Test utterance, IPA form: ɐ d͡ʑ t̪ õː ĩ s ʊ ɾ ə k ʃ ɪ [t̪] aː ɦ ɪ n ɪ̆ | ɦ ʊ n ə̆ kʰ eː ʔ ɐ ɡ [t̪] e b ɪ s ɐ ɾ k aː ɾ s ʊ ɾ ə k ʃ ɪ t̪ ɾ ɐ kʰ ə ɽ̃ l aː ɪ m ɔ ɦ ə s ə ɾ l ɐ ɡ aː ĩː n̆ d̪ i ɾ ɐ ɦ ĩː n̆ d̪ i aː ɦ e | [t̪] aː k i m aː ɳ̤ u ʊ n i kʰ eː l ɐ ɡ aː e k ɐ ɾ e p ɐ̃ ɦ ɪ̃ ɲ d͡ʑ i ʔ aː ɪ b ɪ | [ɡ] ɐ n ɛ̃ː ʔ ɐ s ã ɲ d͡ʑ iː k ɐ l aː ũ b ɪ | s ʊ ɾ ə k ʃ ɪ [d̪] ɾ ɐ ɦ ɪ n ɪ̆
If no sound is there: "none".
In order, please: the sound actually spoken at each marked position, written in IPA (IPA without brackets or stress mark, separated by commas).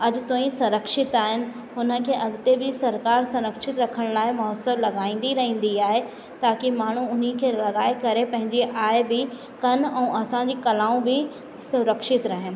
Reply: t̪, t̪, t̪, k, t̪